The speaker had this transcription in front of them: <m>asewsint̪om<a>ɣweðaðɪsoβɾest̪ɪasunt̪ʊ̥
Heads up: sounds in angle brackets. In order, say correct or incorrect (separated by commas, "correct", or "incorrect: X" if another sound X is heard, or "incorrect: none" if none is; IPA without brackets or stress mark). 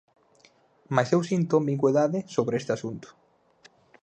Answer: correct, incorrect: i